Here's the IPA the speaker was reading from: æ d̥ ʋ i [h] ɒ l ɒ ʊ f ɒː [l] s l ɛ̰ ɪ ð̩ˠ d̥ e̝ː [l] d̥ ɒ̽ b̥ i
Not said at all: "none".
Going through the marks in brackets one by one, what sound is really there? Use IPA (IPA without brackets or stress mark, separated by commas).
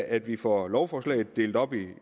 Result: f, none, l